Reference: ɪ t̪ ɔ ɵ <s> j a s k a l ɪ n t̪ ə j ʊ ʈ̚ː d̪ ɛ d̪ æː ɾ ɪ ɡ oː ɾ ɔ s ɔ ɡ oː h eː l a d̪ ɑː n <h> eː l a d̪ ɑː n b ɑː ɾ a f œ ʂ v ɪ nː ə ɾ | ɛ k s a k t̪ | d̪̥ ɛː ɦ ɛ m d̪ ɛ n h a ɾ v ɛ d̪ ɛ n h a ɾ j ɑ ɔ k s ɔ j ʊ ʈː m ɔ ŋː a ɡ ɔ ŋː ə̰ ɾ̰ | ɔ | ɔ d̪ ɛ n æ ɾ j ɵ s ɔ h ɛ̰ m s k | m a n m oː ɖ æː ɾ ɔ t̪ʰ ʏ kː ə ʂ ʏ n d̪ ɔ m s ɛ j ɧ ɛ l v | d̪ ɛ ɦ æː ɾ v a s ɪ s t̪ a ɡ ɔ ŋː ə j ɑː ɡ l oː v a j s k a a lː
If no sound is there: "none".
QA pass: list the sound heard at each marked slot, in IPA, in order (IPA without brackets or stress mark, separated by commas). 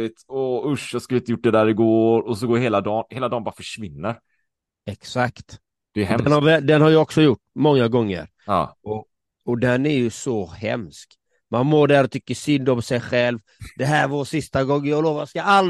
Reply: ʂ, h